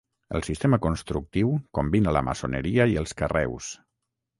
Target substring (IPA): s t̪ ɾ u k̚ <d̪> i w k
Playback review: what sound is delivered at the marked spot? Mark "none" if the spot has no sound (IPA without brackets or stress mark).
t̪